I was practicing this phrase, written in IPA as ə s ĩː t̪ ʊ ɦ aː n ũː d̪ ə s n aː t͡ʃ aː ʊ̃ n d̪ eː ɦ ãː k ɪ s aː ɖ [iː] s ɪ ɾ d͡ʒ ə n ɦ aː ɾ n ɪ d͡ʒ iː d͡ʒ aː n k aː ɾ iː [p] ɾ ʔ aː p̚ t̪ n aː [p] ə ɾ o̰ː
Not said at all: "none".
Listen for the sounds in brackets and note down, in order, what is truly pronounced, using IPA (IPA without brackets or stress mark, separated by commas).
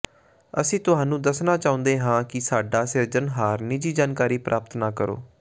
aː, p, k